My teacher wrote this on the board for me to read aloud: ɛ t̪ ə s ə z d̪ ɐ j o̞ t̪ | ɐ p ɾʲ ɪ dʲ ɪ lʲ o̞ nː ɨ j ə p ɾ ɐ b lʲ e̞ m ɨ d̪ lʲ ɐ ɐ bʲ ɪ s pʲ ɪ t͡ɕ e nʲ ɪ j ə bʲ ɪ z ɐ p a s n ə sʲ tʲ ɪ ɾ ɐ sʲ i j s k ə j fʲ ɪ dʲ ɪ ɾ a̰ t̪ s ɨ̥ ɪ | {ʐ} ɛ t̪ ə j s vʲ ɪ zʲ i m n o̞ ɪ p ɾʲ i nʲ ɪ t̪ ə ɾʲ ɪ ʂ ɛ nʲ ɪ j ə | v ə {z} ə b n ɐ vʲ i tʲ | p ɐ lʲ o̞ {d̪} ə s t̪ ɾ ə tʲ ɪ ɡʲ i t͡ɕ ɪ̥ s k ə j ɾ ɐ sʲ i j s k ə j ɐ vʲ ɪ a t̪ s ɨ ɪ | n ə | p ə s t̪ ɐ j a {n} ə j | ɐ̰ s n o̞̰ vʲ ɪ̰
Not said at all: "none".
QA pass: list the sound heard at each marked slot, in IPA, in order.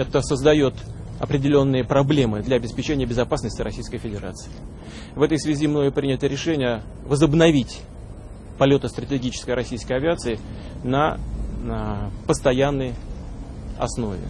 v, z, t̪, nː

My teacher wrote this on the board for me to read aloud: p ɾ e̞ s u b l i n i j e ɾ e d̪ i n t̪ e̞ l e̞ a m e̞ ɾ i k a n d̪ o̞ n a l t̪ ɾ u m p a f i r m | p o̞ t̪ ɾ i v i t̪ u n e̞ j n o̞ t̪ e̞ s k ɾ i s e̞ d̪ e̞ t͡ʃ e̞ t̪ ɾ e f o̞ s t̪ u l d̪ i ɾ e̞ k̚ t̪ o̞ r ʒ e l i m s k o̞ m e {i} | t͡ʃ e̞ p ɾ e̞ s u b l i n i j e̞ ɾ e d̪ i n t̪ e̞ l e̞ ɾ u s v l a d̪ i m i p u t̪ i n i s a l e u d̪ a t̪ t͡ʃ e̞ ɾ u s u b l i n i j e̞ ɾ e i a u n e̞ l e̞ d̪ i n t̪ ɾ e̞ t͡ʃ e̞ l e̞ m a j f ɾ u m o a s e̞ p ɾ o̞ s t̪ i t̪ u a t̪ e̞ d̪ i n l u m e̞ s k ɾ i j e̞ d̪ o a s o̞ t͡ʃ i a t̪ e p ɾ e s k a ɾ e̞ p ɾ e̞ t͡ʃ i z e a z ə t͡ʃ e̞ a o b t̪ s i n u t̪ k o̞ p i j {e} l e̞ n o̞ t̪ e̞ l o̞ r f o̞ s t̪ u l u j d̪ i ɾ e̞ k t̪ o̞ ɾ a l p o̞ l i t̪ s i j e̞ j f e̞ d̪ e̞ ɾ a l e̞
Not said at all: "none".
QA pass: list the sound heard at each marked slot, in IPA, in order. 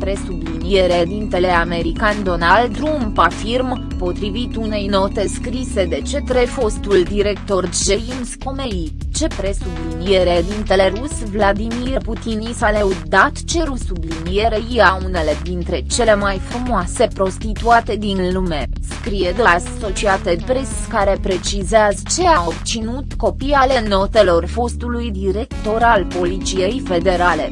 i, a

